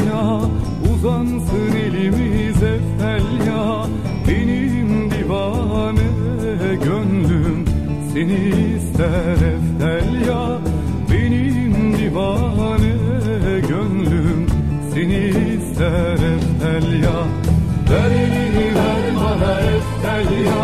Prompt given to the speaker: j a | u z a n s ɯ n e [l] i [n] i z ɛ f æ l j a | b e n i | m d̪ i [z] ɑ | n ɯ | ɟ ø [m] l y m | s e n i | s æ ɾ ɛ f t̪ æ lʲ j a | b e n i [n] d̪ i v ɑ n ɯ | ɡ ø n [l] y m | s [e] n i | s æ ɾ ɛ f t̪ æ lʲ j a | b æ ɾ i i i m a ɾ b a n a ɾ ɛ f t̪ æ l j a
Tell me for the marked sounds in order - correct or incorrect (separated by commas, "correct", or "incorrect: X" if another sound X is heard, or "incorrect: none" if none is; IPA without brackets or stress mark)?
correct, incorrect: m, incorrect: v, incorrect: n, incorrect: m, correct, correct